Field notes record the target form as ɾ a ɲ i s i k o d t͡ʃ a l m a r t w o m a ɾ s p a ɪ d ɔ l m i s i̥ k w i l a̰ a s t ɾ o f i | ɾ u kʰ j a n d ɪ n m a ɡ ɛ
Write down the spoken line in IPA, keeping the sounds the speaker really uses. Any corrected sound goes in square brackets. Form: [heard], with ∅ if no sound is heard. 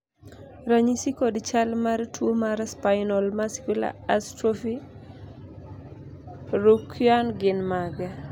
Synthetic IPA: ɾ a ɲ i s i k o d t͡ʃ a l m a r t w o m a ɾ s p a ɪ [n] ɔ l m [a] s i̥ k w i l a̰ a s t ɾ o f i | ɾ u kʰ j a n [ɡ] ɪ n m a ɡ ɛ